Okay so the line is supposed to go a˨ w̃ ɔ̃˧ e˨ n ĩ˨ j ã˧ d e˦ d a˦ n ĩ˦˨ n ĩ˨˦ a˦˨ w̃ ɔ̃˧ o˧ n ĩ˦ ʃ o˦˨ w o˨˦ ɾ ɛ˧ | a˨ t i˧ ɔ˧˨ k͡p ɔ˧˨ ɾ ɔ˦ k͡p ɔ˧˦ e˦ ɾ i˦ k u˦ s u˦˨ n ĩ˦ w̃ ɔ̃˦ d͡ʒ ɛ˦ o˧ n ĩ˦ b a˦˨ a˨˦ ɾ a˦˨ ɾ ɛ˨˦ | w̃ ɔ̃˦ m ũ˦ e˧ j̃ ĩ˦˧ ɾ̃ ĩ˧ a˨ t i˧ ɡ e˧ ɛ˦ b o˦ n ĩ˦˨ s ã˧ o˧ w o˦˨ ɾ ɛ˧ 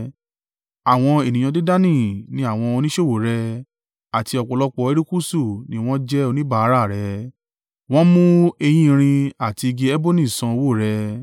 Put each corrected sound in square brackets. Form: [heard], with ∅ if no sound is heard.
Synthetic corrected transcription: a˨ w̃ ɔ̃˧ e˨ n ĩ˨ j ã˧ d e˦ d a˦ n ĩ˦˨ n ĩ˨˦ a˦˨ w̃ ɔ̃˧ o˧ n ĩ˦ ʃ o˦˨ w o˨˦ ɾ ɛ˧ | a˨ t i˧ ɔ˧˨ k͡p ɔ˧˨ [l] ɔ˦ k͡p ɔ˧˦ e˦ ɾ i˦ k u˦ s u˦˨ n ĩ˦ w̃ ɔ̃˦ d͡ʒ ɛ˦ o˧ n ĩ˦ b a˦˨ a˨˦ ɾ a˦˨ ɾ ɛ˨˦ | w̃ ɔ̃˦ m ũ˦ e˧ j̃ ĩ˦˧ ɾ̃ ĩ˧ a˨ t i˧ ɡ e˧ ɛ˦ b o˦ n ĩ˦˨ s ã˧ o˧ w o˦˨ ɾ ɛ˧